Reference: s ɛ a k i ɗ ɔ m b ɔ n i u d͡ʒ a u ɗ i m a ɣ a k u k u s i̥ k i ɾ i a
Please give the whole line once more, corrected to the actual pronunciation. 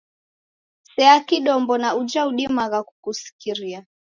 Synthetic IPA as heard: s ɛ a k i ɗ ɔ m b ɔ n a u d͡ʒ a u ɗ i m a ɣ a k u k u s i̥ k i ɾ i a